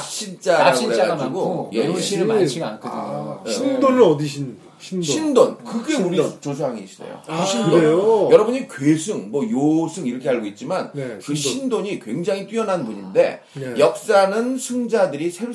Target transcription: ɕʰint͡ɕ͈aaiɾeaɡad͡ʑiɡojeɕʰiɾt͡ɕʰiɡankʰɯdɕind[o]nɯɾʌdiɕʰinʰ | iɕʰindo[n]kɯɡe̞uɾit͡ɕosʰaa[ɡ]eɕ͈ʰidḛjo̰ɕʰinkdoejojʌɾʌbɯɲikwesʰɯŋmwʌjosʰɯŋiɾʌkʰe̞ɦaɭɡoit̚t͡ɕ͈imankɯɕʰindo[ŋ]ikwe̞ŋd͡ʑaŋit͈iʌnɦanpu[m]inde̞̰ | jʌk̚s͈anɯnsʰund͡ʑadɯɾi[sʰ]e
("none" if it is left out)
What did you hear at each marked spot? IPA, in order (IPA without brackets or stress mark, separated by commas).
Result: o, n, ŋ, ɲ, ɲ, sʰ